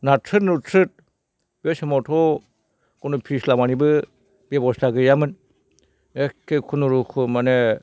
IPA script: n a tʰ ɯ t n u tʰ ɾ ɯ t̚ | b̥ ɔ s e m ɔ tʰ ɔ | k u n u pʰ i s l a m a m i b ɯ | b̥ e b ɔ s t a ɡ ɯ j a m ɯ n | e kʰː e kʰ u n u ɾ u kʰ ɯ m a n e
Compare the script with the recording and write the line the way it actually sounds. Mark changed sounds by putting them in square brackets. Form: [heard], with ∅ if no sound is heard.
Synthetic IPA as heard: n a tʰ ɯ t n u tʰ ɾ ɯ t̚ | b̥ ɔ s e m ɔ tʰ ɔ | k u n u pʰ i s l a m a [n] i b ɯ | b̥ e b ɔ s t a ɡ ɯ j a m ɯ n | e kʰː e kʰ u n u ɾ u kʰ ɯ m a n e